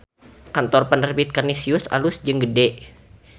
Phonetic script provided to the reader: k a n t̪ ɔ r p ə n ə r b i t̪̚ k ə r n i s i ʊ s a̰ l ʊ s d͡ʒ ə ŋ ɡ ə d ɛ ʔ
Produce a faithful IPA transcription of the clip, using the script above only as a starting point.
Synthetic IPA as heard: k a n t̪ ɔ r p ə n ə r b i t̪̚ k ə r n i s i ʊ s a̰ l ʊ s d͡ʒ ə ŋ ɡ ə d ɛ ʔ